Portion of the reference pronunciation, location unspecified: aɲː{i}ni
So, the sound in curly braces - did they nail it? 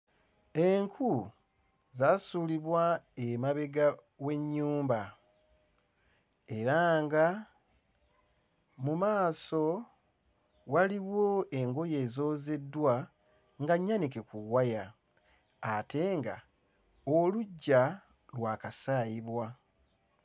no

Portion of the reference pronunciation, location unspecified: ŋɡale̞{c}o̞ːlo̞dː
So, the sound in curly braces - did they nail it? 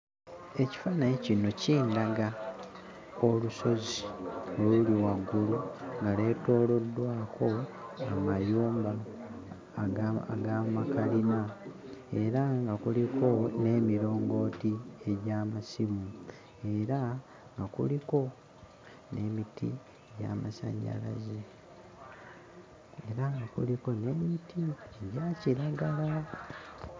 no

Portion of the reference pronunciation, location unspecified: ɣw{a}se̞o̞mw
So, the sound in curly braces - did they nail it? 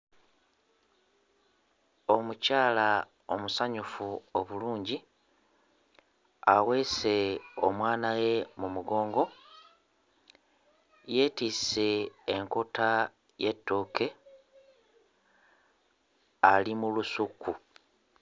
no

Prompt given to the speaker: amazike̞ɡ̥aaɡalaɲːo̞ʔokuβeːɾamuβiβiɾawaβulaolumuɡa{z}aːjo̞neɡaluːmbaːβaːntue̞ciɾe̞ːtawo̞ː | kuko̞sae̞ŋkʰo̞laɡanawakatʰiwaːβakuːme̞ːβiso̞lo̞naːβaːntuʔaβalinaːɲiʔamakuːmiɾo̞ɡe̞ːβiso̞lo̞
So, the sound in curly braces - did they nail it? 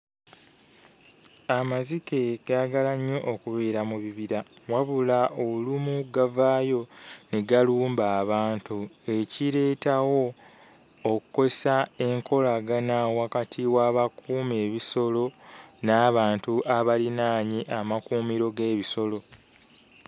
no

